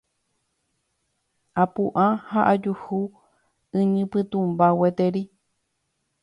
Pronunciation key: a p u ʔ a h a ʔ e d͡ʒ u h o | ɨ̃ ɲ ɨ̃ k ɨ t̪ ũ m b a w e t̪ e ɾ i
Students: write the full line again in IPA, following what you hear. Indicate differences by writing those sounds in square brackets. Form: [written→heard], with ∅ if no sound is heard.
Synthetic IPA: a p u ʔ a h a ʔ [e→a] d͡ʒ u h [o→u] | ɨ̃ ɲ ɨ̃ [k→p] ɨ t̪ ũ m b a w e t̪ e ɾ i

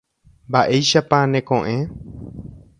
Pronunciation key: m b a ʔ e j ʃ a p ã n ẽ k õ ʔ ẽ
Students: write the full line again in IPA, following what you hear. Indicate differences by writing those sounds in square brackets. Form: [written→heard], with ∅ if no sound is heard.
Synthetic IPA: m b a ʔ e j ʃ a p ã n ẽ k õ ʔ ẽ

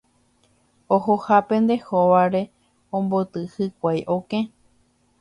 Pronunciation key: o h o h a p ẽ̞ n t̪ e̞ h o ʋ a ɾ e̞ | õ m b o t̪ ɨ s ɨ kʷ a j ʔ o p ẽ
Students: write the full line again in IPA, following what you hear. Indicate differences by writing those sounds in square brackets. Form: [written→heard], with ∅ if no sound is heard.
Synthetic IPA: o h o h a p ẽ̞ n [t̪→d̪] e̞ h o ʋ a ɾ e̞ | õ m b o t̪ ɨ [s→h] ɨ kʷ a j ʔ o [p→k] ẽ

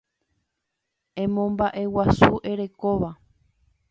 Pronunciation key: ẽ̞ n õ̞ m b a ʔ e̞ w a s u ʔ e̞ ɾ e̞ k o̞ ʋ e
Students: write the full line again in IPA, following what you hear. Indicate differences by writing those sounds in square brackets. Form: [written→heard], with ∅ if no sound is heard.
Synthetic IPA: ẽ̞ [n→m] õ̞ m b a ʔ e̞ w a s u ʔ e̞ ɾ e̞ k o̞ ʋ [e→a]

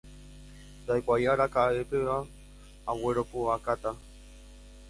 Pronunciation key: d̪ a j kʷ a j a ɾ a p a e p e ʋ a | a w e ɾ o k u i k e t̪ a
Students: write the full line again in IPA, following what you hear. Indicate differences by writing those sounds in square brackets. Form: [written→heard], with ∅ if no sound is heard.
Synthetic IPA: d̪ a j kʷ a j a ɾ a [p→k] a e p e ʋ a | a w e ɾ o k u [i→a] k [e→a] t̪ a

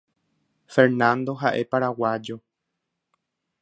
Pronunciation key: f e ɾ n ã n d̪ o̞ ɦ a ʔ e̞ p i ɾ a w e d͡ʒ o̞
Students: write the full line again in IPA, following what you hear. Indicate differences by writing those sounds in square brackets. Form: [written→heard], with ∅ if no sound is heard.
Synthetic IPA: f e ɾ n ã n d̪ o̞ ɦ a ʔ e̞ p [i→a] ɾ a w [e→a] d͡ʒ o̞

